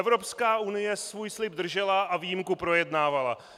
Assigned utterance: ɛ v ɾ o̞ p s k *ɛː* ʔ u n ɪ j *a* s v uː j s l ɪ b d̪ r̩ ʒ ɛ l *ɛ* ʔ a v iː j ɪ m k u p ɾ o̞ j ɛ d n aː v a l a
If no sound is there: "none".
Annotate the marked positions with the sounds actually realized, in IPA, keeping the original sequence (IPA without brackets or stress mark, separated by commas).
aː, ɛ, a